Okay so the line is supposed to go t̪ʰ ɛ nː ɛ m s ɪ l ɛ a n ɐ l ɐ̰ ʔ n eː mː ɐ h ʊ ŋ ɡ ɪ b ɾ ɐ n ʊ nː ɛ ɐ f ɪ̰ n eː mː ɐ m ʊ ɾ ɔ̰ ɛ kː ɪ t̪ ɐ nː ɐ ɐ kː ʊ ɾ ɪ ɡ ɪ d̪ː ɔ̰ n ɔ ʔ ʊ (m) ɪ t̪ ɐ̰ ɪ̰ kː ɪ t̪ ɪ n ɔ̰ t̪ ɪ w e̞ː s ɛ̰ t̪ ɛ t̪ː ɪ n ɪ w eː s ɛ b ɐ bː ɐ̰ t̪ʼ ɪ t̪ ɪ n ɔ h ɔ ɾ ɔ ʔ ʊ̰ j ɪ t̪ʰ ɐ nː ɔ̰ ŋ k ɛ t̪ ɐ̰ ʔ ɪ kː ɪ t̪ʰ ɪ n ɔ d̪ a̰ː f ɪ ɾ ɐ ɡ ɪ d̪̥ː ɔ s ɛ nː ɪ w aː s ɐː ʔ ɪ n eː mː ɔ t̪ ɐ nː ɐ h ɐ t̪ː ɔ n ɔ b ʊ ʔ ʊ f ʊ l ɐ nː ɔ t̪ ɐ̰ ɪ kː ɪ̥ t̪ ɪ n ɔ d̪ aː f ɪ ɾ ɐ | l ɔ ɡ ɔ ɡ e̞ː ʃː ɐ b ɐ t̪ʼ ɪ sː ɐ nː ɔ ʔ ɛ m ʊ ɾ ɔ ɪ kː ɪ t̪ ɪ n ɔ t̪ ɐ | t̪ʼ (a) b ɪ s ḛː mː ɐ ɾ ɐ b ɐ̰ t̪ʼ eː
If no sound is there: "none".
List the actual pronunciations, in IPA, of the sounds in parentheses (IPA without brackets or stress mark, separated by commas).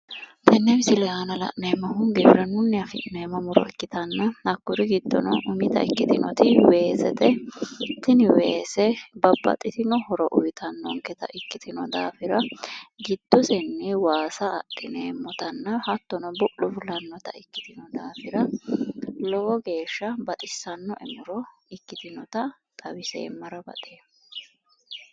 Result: m, ɐ